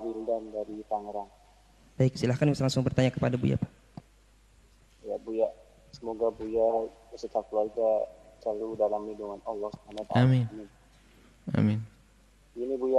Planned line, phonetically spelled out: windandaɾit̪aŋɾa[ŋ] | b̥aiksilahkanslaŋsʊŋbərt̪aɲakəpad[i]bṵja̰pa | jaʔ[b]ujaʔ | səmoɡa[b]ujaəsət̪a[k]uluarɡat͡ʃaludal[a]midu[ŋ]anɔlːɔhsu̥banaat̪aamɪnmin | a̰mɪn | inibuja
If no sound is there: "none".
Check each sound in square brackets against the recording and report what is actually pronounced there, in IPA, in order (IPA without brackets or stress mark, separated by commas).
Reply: ŋ, a, b, b, k, a, ŋ